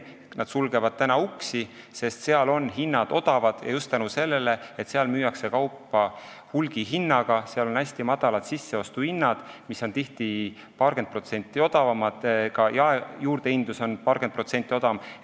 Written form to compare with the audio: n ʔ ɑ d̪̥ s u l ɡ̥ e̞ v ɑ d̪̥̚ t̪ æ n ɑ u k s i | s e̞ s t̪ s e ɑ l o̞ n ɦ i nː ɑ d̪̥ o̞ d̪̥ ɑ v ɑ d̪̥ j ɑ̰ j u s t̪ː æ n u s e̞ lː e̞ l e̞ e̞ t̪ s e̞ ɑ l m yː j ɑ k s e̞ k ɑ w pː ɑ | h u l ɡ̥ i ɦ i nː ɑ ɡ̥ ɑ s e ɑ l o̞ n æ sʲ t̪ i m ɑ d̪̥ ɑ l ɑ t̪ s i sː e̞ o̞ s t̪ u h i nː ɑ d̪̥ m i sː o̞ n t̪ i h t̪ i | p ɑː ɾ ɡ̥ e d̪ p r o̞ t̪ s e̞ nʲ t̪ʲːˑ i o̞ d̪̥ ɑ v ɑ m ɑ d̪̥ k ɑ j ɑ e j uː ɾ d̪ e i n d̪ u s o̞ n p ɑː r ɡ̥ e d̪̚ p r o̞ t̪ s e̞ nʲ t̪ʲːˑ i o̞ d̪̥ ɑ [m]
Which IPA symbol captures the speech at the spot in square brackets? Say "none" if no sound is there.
m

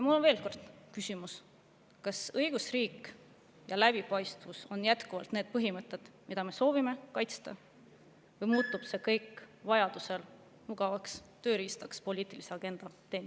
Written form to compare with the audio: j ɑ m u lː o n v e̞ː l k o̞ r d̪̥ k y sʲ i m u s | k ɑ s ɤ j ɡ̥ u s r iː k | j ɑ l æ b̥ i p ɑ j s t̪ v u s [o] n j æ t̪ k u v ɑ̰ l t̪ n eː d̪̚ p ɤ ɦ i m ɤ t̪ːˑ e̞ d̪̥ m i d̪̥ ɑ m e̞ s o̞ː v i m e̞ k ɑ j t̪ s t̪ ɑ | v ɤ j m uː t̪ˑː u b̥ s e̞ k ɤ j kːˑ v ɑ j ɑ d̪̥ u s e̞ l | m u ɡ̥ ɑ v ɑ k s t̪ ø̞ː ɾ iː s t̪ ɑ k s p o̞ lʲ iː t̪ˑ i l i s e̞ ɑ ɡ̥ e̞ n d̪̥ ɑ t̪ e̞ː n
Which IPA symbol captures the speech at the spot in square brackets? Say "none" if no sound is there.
o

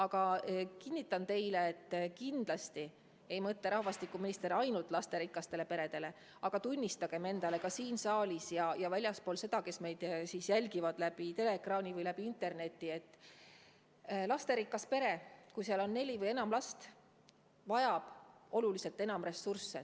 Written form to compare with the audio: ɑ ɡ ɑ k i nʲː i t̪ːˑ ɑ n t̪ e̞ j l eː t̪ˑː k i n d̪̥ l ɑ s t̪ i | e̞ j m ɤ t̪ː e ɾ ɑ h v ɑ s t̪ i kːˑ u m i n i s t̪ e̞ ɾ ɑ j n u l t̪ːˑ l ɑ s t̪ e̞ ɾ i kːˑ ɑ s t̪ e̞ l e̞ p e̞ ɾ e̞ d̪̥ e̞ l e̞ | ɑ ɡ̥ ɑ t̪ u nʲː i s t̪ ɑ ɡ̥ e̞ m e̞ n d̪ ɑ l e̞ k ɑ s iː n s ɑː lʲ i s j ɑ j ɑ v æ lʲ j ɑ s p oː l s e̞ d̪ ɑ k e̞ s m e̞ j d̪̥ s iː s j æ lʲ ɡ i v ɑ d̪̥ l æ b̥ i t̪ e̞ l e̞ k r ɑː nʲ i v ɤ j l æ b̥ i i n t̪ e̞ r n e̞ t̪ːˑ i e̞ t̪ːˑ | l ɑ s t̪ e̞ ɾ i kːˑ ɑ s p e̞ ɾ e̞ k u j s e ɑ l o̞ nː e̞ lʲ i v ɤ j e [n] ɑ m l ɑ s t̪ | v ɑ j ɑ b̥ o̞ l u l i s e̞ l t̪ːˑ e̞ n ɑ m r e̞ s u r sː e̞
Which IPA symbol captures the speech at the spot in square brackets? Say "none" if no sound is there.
n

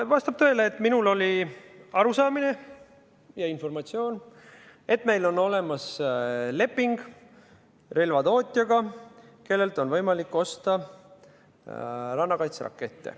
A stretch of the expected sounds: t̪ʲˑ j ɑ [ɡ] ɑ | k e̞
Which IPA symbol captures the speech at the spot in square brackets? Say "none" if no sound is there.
ɡ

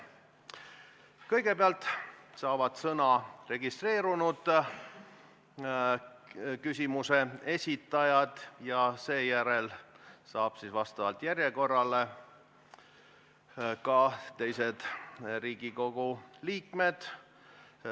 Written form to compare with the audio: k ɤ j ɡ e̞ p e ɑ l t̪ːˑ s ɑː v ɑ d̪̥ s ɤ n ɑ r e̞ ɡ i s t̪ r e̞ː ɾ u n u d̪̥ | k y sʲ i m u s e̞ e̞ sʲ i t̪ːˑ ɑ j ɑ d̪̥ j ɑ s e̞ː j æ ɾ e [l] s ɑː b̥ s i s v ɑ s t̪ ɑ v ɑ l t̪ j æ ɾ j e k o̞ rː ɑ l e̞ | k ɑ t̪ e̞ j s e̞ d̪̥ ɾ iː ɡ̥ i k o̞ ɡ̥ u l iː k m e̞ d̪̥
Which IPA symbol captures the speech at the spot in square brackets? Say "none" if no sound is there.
l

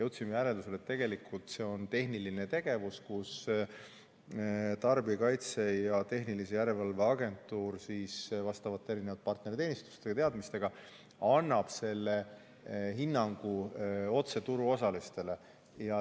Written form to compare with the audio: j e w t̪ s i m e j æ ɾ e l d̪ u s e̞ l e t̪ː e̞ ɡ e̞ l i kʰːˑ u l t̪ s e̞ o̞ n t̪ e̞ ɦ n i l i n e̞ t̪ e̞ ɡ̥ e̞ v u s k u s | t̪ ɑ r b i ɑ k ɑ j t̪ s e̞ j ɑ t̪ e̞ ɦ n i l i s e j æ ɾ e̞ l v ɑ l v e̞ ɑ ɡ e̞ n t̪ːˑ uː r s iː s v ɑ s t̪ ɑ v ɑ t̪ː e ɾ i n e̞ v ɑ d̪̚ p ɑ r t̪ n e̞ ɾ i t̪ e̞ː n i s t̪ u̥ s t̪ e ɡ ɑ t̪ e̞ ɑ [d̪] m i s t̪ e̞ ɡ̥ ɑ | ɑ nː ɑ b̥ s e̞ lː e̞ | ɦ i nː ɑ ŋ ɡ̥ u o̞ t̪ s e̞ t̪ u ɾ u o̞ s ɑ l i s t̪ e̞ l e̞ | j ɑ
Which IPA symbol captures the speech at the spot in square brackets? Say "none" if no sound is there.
d̪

